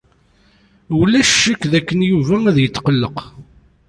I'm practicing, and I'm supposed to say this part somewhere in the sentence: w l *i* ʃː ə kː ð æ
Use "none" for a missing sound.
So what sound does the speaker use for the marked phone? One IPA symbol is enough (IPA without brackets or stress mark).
æ